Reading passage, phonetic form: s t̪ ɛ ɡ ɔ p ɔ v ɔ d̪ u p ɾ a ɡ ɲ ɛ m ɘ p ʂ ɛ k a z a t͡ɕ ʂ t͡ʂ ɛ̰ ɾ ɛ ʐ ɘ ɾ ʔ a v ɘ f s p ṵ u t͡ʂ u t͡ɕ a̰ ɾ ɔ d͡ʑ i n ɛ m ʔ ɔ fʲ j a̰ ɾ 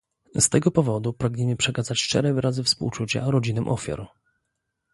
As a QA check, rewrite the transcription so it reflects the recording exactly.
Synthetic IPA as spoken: s t̪ ɛ ɡ ɔ p ɔ v ɔ d̪ u p ɾ a ɡ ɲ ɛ m ɘ p ʂ ɛ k a z a t͡ɕ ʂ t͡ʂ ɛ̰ ɾ ɛ v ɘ ɾ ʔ a z ɘ f s p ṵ w t͡ʂ u t͡ɕ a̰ ɾ ɔ d͡ʑ i n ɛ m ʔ ɔ fʲ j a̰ ɾ